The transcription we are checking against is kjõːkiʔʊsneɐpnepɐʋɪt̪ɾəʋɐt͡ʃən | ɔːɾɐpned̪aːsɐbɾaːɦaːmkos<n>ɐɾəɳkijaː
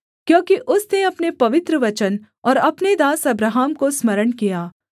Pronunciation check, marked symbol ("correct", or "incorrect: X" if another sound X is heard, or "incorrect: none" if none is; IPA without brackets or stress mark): incorrect: m